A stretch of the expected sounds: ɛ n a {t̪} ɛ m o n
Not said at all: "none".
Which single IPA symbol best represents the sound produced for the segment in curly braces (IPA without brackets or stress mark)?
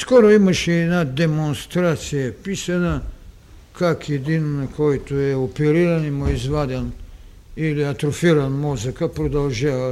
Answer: d̪